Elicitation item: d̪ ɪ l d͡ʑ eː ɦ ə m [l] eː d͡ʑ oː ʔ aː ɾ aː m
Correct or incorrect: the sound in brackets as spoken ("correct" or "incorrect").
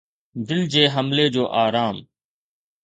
correct